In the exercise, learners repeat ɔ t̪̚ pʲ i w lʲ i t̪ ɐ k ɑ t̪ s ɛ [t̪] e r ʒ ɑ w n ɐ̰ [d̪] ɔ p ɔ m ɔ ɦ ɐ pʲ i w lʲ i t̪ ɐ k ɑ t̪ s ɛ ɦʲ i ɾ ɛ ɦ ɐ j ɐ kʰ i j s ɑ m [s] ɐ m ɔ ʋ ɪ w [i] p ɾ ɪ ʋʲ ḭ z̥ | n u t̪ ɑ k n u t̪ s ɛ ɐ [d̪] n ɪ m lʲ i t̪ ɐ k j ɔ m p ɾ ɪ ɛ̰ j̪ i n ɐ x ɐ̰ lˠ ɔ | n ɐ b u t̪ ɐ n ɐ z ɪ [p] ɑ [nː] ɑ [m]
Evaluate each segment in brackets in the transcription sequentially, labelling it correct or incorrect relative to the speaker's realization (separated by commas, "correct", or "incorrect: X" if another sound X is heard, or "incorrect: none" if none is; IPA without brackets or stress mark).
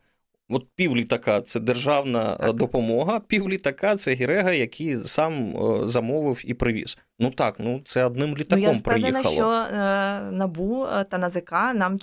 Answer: incorrect: d̪, correct, incorrect: z, correct, correct, incorrect: k, incorrect: n, correct